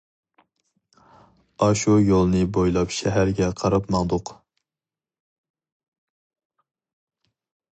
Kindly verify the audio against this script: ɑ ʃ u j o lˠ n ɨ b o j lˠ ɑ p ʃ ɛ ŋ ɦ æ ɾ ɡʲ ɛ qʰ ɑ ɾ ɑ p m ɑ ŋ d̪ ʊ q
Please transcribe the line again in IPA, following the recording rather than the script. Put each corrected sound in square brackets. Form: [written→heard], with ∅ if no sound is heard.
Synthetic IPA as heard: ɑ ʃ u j o lˠ n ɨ b o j lˠ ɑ p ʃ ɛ [ŋ→∅] ɦ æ ɾ ɡʲ ɛ qʰ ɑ ɾ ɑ p m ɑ ŋ d̪ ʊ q

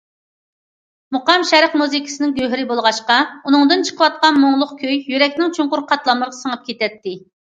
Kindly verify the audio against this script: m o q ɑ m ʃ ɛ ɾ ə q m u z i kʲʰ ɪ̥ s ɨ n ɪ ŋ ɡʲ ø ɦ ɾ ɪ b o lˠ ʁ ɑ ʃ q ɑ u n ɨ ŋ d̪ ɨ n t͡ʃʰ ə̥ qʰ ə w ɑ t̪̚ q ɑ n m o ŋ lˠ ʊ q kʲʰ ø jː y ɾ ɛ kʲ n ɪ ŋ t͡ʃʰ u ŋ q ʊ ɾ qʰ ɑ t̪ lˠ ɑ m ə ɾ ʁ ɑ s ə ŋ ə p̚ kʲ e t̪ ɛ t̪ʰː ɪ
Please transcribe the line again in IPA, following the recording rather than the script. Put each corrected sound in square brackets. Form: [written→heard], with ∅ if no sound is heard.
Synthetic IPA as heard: m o q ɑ m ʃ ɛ ɾ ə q m u z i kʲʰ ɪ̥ s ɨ n ɪ ŋ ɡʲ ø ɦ ɾ ɪ b o lˠ ʁ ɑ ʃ q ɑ u n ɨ ŋ d̪ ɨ n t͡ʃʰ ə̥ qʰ ə w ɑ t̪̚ q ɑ n m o ŋ lˠ ʊ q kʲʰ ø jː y ɾ ɛ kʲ n ɪ ŋ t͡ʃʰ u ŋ q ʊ ɾ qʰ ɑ t̪ lˠ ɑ m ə ɾ ʁ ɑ s ə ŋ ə p̚ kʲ e t̪ ɛ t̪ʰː ɪ

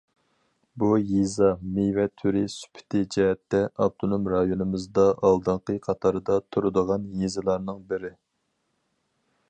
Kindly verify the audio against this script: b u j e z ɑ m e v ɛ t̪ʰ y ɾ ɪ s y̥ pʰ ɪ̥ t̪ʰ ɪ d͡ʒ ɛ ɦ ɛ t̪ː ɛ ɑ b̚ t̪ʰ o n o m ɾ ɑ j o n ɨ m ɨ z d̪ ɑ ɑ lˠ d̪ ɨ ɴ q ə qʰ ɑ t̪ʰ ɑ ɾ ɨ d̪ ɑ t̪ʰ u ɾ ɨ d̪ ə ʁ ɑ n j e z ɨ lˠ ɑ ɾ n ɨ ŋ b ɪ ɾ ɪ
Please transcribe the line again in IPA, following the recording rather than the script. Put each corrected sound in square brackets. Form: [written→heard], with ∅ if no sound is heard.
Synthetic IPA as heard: b u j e z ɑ m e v ɛ t̪ʰ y ɾ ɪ s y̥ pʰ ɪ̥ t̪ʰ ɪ d͡ʒ ɛ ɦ ɛ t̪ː ɛ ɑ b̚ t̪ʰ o n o m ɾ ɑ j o n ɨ m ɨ z d̪ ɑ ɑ lˠ d̪ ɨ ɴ q ə qʰ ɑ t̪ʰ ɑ ɾ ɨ d̪ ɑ t̪ʰ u ɾ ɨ d̪ ə ʁ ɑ n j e z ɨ lˠ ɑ ɾ n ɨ ŋ b ɪ ɾ ɪ

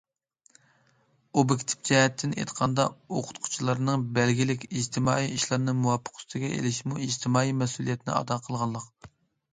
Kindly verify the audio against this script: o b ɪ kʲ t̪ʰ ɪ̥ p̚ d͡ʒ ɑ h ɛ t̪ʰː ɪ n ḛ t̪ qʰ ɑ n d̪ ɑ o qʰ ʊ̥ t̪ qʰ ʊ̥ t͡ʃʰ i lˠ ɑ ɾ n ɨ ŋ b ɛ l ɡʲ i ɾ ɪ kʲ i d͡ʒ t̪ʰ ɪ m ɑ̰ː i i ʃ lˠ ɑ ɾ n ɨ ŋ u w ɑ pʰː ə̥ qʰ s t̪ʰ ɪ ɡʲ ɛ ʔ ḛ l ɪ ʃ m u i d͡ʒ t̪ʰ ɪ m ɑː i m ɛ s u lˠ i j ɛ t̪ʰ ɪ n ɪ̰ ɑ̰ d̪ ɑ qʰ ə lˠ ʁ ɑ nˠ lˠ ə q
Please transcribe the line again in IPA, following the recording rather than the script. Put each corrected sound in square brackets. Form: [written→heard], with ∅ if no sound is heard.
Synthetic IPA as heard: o b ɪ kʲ t̪ʰ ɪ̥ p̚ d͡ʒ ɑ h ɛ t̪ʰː ɪ n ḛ t̪ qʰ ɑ n d̪ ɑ o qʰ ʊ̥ t̪ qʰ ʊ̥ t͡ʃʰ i lˠ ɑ ɾ n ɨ ŋ b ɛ l ɡʲ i [ɾ→l] ɪ kʲ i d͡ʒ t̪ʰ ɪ m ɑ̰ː i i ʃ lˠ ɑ ɾ n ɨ [ŋ→m] u w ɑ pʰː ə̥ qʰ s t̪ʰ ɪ ɡʲ ɛ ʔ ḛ l ɪ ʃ m u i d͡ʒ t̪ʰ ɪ m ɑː i m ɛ s u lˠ i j ɛ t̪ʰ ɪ n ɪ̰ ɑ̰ d̪ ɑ qʰ ə lˠ ʁ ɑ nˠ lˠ ə q

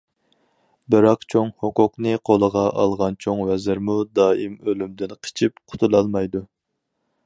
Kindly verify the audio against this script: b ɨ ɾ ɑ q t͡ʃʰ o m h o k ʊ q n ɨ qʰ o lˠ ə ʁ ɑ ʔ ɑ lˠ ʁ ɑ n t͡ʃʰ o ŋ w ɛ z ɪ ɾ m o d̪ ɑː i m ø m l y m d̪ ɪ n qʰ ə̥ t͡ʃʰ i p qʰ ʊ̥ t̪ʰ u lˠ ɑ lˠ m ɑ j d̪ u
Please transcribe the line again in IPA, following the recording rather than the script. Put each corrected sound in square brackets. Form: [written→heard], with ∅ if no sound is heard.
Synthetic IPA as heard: b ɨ ɾ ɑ q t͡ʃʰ o [m→ŋ] h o k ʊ q n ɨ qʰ o lˠ ə ʁ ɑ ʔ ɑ lˠ ʁ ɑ n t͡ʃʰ o ŋ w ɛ z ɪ ɾ m [o→u] d̪ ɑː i m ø [m→∅] l y m d̪ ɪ n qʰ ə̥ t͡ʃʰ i p qʰ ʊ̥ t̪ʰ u lˠ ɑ lˠ m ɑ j d̪ u

